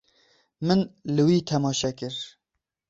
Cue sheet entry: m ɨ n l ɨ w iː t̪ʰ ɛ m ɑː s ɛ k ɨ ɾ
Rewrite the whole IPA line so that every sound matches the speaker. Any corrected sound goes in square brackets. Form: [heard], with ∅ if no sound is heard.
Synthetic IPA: m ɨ n l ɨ w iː t̪ʰ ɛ m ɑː [ʃ] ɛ k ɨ ɾ

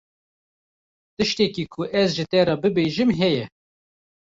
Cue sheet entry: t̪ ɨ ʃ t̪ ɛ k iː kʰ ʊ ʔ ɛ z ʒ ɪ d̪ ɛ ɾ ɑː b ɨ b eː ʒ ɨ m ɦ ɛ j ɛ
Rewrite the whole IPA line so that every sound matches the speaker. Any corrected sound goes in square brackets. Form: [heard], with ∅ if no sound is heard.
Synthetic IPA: t̪ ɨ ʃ t̪ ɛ k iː kʰ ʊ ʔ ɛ z ʒ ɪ [t̪] ɛ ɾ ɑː b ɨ b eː ʒ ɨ m ɦ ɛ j ɛ

